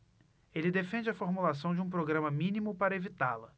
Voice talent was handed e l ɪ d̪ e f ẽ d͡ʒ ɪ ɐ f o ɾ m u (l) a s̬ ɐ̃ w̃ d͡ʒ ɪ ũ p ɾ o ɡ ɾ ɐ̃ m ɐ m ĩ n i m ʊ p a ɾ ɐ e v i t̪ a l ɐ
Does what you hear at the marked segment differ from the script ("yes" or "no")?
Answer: no